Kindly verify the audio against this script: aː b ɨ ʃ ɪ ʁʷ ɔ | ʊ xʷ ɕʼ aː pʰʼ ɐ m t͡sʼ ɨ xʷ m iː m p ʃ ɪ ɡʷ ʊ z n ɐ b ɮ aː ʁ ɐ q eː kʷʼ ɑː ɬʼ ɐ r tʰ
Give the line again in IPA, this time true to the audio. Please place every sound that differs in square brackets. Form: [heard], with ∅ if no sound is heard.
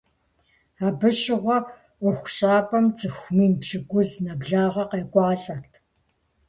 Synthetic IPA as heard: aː b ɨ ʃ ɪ ʁʷ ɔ | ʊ xʷ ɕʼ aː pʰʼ ɐ m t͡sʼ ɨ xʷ m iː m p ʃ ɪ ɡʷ ʊ z n ɐ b ɮ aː ʁ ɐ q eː kʷʼ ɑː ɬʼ ɐ r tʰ